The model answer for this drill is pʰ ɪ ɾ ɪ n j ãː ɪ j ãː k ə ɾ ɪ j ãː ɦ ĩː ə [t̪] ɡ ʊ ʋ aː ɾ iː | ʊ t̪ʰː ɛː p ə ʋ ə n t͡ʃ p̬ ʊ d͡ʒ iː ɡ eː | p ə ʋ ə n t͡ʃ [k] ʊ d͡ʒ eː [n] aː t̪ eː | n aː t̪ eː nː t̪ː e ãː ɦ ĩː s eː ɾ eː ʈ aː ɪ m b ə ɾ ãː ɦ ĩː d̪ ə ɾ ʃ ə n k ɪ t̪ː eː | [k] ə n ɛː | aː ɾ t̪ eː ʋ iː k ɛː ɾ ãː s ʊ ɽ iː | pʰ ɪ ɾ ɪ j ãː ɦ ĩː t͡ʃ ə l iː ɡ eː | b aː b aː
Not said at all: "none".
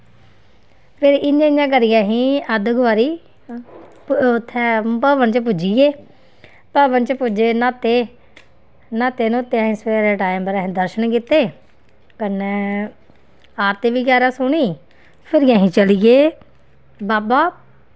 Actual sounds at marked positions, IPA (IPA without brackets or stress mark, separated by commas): d̪, p, n, k